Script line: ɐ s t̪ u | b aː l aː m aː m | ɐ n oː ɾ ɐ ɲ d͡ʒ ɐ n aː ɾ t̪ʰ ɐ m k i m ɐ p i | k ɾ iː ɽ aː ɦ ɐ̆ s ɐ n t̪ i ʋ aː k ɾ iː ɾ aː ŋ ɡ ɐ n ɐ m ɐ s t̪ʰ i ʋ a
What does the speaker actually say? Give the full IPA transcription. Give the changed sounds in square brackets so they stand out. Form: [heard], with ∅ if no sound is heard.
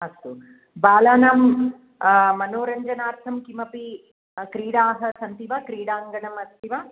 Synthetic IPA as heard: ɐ s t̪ u | b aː l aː [n] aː m | ɐ n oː ɾ ɐ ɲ d͡ʒ ɐ n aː ɾ t̪ʰ ɐ m k i m ɐ p i | k ɾ iː ɽ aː ɦ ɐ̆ s ɐ n t̪ i ʋ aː k ɾ iː [ɽ] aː ŋ ɡ ɐ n ɐ m ɐ s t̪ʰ i ʋ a

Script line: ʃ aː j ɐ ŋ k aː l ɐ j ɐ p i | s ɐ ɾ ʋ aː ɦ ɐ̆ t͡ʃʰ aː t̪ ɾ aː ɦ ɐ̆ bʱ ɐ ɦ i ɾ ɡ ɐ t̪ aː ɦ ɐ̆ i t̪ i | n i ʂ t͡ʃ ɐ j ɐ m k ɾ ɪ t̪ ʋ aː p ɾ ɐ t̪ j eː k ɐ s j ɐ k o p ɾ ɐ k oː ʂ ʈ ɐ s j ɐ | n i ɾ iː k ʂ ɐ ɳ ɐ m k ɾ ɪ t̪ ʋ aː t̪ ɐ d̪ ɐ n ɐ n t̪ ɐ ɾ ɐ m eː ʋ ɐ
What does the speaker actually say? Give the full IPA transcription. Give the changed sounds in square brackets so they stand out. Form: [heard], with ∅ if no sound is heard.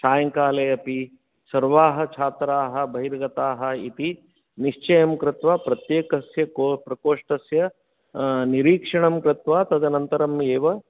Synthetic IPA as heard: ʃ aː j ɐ ŋ k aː l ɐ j ɐ p i | s ɐ ɾ ʋ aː ɦ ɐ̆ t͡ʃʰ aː t̪ ɾ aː ɦ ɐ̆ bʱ ɐ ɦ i ɾ ɡ ɐ t̪ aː ɦ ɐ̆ i t̪ i | n i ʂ t͡ʃ ɐ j ɐ m k ɾ ɪ t̪ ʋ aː p ɾ ɐ t̪ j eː k ɐ s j ɐ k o p ɾ ɐ k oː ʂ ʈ ɐ s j ɐ | n i ɾ iː k ʂ ɐ ɳ ɐ m k ɾ ɪ t̪ ʋ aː t̪ ɐ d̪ ɐ n ɐ n t̪ ɐ ɾ ɐ m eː ʋ ɐ

